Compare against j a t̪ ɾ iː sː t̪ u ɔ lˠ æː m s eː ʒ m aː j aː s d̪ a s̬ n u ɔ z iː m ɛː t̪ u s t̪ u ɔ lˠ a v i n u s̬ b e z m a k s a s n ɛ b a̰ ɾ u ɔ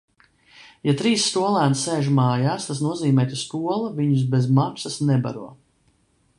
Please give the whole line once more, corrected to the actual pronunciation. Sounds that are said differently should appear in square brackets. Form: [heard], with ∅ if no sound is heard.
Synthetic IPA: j a t̪ ɾ iː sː t̪ u ɔ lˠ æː [n] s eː ʒ m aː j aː s [t̪] a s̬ n u ɔ z iː m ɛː t̪ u s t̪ u ɔ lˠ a v i [ɲ] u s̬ b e z m a k s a s n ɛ b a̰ ɾ u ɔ